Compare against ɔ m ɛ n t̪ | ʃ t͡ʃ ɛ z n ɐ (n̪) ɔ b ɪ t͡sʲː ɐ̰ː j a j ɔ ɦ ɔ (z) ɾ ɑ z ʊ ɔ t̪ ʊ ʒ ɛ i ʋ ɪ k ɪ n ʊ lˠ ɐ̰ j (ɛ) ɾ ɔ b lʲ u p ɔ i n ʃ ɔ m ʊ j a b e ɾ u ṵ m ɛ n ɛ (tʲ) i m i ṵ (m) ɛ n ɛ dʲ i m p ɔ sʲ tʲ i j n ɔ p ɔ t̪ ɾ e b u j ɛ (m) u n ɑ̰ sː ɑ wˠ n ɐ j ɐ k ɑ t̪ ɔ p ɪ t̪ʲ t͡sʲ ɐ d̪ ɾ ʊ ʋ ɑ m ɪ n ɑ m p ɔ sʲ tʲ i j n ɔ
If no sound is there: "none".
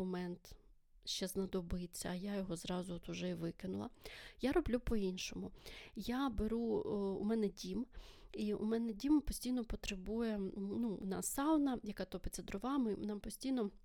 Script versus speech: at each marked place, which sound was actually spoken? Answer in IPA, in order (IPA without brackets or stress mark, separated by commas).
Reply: d̪, z, a, dʲ, m, n